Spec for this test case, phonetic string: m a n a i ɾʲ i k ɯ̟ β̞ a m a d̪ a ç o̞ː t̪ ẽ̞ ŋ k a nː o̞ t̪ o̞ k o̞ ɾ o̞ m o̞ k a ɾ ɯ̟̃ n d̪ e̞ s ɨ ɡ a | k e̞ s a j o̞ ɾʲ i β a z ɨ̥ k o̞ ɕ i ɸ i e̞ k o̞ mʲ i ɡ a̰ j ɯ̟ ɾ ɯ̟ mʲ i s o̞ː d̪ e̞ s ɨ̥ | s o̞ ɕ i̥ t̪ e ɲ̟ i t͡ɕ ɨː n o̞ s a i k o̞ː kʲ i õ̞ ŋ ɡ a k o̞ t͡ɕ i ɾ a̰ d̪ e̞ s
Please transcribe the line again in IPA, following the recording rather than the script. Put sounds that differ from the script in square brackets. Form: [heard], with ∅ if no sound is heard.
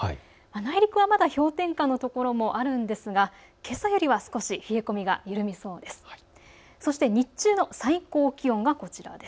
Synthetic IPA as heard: m a n a i ɾʲ i k ɯ̟ β̞ a m a d̪ a ç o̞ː t̪ ẽ̞ ŋ k a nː o̞ t̪ o̞ k o̞ ɾ o̞ m o̞ [ʔ] a ɾ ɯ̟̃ n d̪ e̞ s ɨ ɡ a | k e̞ s a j o̞ ɾʲ i β a [s] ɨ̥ k o̞ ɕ i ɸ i e̞ k o̞ mʲ i ɡ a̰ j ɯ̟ ɾ ɯ̟ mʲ i s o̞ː d̪ e̞ s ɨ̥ | s o̞ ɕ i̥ t̪ e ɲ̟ i t͡ɕ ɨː n o̞ s a i k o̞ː kʲ i õ̞ ŋ ɡ a k o̞ t͡ɕ i ɾ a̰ d̪ e̞ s